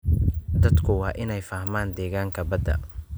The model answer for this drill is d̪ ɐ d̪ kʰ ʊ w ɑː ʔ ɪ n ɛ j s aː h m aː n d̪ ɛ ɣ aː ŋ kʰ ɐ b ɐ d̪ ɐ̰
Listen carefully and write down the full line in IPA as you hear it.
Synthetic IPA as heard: d̪ ɐ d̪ kʰ ʊ w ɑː ʔ ɪ n ɛ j f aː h m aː n d̪ ɛː ɣ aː ŋ kʰ ɐ b ɐ d̪ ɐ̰